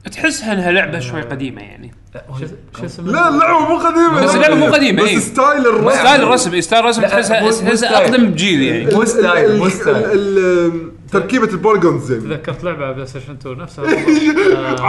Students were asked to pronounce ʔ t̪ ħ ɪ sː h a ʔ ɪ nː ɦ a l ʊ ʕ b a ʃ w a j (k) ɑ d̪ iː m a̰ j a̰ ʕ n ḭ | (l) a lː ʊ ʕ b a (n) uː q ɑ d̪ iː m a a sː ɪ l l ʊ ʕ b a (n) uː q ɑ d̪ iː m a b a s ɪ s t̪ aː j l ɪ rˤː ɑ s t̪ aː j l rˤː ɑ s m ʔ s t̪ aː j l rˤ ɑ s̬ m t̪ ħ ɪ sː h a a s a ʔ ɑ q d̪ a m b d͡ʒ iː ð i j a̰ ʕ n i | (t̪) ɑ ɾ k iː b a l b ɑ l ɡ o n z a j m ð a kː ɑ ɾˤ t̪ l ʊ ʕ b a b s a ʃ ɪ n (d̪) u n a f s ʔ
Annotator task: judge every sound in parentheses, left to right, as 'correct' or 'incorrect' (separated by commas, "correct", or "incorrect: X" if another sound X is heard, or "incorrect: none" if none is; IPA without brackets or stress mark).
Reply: incorrect: q, correct, incorrect: m, incorrect: m, correct, incorrect: t̪